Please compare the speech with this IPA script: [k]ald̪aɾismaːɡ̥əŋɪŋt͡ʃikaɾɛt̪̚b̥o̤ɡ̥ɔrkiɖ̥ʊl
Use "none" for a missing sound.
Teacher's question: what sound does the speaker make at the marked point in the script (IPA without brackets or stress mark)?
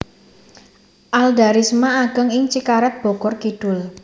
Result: ʔ